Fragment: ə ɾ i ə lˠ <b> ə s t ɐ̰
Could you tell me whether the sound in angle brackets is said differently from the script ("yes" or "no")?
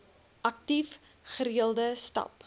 yes